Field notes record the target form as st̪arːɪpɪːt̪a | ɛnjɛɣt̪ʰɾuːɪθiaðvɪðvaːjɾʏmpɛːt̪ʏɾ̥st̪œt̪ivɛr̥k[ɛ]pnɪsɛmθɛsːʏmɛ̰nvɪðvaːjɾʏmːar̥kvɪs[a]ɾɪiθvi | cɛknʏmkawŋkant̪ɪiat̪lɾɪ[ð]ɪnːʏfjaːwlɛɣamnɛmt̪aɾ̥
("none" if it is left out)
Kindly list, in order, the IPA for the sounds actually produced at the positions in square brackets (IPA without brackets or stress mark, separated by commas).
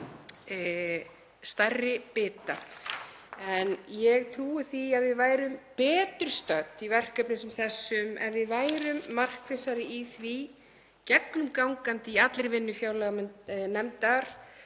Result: œ, a, v